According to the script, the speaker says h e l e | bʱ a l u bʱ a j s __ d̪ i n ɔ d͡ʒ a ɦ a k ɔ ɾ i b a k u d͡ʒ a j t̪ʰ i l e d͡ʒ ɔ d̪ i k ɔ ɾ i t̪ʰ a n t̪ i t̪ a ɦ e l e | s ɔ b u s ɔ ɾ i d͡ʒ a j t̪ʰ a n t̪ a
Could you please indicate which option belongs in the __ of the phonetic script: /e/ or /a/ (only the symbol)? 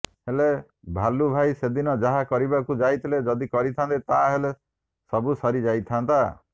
e